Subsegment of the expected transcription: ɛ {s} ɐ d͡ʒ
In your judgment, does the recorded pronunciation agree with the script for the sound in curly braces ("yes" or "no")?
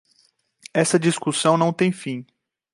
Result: yes